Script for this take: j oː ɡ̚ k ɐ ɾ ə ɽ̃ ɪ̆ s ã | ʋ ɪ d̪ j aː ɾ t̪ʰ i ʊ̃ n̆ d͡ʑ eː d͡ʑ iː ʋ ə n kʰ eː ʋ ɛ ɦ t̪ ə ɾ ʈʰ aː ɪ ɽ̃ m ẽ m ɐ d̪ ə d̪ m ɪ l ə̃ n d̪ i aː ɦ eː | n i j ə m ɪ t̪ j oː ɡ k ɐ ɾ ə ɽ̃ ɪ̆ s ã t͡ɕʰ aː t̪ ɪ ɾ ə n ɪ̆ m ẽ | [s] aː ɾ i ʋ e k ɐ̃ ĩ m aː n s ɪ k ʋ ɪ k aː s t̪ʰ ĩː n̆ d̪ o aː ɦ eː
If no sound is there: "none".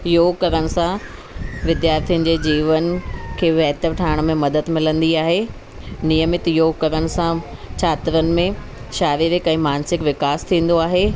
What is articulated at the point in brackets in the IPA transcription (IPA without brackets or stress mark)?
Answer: ʃ